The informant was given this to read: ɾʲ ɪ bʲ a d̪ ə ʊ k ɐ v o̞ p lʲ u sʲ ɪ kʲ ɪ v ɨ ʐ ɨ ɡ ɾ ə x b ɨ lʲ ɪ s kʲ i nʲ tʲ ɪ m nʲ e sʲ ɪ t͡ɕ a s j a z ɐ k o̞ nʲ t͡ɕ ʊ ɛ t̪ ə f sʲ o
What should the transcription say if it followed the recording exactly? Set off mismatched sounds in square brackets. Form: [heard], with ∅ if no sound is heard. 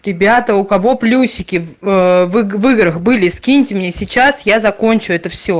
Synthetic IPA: ɾʲ ɪ bʲ a [t̪] ə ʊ k ɐ v o̞ p lʲ u sʲ ɪ kʲ ɪ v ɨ [v] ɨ ɡ ɾ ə x b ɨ lʲ ɪ s kʲ i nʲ tʲ ɪ m nʲ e sʲ ɪ t͡ɕ a s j a z ɐ k o̞ nʲ t͡ɕ ʊ ɛ t̪ ə f sʲ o